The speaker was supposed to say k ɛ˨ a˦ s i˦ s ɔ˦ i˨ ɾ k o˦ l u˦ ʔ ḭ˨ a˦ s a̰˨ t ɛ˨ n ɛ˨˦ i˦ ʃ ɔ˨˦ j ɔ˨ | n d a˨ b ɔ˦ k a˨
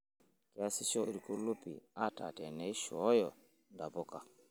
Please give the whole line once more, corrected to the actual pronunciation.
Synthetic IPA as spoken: k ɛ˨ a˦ s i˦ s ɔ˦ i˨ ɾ k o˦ l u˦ p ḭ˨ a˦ t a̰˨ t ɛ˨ n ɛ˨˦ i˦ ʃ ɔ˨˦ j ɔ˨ | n d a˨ b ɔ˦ k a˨